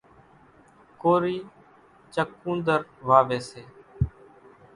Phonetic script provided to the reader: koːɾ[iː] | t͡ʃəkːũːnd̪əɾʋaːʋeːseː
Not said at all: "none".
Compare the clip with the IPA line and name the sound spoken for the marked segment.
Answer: iː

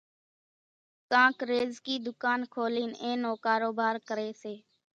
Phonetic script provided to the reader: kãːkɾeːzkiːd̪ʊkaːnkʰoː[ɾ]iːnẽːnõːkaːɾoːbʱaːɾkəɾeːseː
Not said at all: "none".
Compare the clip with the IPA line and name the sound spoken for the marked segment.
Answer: l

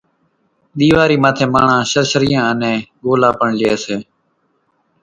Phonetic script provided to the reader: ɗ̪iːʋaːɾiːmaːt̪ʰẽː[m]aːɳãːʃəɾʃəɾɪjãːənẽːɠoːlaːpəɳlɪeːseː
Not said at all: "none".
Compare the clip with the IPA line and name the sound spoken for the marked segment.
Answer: m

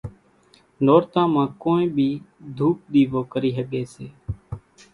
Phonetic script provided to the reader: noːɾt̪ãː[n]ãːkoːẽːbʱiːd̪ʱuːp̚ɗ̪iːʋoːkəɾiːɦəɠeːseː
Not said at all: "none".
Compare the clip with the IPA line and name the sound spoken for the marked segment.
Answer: m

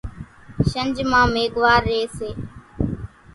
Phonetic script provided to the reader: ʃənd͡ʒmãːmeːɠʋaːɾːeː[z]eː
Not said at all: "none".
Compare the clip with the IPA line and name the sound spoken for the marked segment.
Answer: s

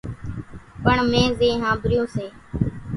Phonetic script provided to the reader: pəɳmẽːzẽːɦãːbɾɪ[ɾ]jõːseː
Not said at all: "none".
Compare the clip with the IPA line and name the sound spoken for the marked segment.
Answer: none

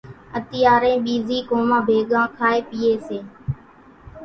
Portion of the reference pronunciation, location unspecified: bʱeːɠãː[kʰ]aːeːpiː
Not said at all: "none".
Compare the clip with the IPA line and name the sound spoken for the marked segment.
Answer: kʰ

